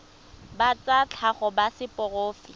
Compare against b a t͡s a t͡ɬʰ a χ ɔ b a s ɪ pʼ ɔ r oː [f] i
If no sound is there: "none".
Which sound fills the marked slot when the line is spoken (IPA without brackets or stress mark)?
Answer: f